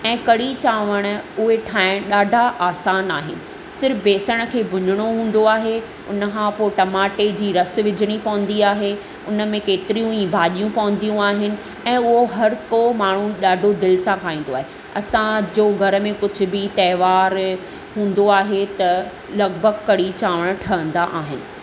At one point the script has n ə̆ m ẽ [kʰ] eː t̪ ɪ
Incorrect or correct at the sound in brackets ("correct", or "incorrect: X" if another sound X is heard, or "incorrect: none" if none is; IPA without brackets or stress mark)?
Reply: incorrect: k